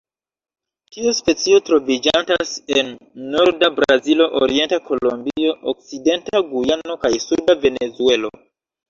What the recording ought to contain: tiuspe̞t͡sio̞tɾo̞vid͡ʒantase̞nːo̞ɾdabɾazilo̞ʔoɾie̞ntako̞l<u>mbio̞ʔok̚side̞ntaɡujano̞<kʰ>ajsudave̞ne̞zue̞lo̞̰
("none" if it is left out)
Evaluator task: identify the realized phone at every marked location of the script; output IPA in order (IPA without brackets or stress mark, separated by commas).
o, k